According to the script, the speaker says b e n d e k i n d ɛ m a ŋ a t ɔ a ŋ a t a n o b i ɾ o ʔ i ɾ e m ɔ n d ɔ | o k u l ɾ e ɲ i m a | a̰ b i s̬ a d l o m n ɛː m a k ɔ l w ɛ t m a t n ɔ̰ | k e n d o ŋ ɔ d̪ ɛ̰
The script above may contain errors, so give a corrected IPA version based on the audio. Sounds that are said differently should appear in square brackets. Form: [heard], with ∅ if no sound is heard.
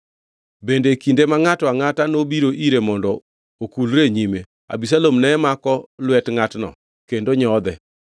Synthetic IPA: b e n d e k i n d [e] m a ŋ a t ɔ a ŋ a t a n o b i ɾ o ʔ i ɾ e m ɔ n d ɔ | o k u l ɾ e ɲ i m [e] | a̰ b i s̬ a [∅] l o m n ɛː m a k ɔ l w ɛ t [ŋ] a t n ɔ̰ | k e n d o [ɲ] ɔ d̪ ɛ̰